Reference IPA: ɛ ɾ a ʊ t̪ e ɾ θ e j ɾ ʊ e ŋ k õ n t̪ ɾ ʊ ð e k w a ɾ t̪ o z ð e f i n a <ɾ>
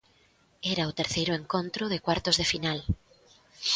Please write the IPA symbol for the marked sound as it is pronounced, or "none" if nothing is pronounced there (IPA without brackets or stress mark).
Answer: l